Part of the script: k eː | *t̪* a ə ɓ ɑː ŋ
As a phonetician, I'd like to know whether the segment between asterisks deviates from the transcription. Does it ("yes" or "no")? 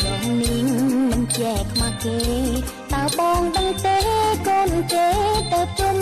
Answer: no